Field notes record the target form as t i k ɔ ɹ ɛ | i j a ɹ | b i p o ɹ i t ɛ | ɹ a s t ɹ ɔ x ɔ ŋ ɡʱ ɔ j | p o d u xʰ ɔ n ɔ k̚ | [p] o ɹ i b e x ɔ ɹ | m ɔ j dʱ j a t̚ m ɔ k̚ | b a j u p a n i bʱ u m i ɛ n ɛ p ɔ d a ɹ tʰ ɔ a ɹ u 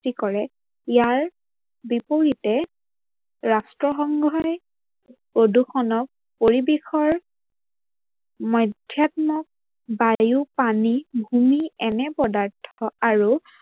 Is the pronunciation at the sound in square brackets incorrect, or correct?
correct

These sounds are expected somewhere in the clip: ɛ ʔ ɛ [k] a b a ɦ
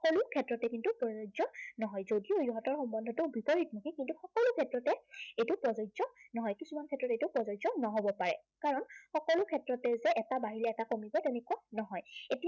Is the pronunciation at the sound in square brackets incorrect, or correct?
incorrect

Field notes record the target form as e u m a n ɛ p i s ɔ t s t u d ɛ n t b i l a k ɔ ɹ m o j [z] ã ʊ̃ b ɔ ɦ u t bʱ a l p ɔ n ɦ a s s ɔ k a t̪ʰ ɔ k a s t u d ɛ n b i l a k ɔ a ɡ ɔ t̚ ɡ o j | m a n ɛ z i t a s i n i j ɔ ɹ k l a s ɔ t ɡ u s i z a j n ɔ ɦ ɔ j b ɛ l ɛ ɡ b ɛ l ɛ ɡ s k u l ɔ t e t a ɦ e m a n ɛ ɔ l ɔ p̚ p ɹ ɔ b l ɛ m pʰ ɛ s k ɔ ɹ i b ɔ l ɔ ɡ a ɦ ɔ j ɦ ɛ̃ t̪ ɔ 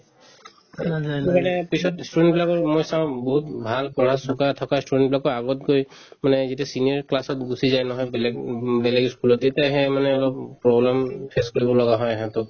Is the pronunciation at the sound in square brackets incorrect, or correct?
incorrect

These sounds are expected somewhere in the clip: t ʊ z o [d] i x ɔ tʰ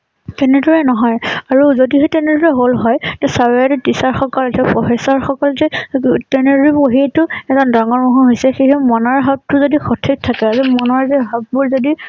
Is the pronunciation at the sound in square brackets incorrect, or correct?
correct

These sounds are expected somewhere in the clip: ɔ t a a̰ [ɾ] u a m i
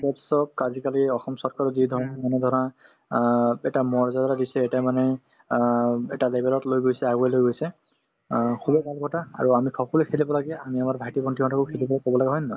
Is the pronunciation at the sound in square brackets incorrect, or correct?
incorrect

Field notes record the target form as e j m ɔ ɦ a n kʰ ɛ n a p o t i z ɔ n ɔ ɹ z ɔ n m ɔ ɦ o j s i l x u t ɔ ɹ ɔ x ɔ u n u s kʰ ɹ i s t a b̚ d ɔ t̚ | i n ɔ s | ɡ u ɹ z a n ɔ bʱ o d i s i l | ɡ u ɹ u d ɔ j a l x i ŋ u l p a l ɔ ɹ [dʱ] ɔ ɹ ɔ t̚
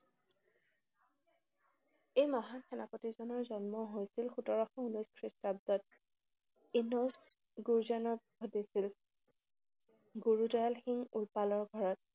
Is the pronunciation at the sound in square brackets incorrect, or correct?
incorrect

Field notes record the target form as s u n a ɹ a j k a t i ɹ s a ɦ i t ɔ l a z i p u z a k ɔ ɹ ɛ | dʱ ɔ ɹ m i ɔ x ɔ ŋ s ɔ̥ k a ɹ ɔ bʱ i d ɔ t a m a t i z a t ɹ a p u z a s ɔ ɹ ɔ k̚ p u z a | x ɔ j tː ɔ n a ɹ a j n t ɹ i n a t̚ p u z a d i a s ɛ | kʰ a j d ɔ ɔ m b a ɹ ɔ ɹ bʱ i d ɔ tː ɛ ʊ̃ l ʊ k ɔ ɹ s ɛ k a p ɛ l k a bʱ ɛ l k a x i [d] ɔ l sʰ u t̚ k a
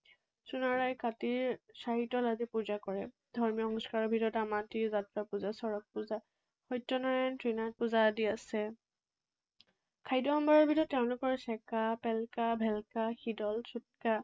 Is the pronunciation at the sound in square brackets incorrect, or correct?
correct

